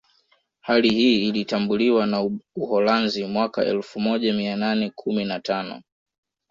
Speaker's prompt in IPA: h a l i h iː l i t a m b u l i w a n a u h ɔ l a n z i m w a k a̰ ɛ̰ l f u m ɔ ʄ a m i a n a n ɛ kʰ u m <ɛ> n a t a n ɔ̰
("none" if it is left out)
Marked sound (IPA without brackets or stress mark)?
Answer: i